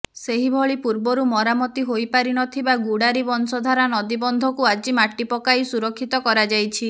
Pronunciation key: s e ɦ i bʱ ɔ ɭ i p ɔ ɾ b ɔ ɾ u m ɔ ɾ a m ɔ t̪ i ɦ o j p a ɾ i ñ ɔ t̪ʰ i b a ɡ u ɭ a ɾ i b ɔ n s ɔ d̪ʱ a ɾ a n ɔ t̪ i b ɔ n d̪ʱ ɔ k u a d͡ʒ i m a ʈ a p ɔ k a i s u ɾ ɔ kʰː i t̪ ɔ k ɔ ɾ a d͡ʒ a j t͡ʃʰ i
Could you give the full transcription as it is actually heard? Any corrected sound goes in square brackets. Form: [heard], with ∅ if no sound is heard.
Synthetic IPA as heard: s e ɦ i bʱ ɔ ɭ i p [u] ɾ b ɔ ɾ u m ɔ ɾ a m ɔ t̪ i ɦ o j p a ɾ i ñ ɔ t̪ʰ i b a ɡ u [ɽ] a ɾ i b ɔ n s ɔ d̪ʱ a ɾ a n ɔ [d̪] i b ɔ n d̪ʱ ɔ k u a d͡ʒ i m a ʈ [i] p ɔ k a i s u ɾ ɔ kʰː i t̪ ɔ k ɔ ɾ a d͡ʒ a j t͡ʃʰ i